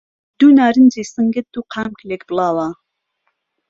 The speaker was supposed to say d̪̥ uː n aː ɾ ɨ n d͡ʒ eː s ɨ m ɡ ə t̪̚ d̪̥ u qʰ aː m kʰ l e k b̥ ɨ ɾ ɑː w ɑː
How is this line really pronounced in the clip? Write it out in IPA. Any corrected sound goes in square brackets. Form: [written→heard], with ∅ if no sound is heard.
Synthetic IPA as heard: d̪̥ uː n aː ɾ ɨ n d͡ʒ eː s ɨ [m→ŋ] ɡ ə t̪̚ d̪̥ u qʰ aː m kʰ l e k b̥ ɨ [ɾ→l] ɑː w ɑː